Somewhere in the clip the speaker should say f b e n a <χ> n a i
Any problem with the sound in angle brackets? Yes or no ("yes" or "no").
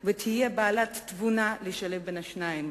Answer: yes